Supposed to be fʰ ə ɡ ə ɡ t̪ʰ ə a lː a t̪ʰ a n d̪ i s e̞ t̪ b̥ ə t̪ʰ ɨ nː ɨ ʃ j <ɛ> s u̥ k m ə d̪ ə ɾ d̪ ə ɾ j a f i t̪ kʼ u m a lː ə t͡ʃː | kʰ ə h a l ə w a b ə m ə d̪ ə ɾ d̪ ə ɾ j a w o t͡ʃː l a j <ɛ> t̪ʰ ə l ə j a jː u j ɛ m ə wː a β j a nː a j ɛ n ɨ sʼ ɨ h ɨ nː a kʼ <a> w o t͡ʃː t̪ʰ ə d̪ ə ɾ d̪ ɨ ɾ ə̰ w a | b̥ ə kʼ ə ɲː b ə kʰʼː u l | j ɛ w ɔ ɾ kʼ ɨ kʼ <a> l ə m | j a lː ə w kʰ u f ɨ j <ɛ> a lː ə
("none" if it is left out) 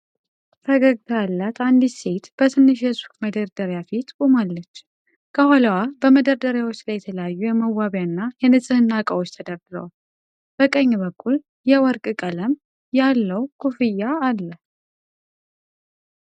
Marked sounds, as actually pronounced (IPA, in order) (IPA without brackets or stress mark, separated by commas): ɛ, ɛ, ə, ə, a